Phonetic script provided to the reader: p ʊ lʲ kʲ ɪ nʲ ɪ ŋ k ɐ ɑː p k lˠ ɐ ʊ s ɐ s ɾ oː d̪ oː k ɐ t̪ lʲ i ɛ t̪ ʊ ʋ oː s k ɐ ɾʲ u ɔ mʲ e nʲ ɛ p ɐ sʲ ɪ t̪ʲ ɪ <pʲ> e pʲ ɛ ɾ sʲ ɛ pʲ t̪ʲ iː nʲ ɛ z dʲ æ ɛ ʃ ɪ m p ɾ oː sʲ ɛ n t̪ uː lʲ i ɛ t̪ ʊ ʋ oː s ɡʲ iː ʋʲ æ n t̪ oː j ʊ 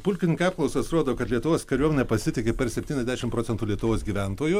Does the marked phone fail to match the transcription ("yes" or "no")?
yes